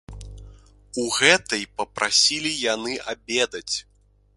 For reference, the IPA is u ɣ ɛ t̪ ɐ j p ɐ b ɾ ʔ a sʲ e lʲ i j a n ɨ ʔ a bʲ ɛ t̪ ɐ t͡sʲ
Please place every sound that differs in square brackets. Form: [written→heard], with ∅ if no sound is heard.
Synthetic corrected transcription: u ɣ ɛ t̪ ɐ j p ɐ [b→p] ɾ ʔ a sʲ [e→i] lʲ i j a n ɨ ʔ a bʲ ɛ [t̪→d̪] ɐ t͡sʲ